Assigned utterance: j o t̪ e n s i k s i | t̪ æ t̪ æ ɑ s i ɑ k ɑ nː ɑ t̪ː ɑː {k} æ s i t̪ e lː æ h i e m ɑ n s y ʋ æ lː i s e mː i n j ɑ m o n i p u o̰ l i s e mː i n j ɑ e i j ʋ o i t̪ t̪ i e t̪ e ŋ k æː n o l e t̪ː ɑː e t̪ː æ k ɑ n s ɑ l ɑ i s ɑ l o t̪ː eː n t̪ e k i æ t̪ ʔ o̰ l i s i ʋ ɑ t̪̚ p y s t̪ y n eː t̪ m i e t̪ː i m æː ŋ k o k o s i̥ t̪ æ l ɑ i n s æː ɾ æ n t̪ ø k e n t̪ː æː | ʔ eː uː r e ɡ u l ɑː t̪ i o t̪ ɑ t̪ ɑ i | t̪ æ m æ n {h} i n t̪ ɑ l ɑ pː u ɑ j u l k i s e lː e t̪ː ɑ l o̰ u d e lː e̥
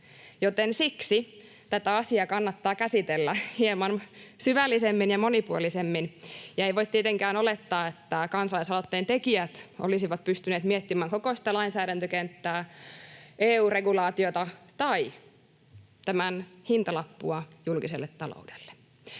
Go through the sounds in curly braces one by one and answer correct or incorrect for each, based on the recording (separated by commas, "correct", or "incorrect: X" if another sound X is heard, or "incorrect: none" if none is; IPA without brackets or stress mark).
correct, correct